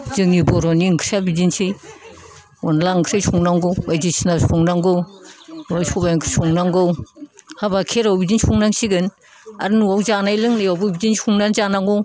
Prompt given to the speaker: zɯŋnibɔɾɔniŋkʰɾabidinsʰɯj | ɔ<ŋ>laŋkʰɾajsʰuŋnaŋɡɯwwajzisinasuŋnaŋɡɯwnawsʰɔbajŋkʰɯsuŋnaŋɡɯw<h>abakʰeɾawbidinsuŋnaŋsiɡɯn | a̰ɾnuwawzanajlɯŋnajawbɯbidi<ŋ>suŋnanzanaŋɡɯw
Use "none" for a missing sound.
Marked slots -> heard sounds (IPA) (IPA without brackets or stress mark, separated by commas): n, h, n